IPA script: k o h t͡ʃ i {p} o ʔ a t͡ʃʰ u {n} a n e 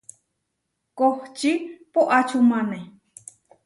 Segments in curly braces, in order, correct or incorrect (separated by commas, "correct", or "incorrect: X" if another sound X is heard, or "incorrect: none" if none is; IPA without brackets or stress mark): correct, incorrect: m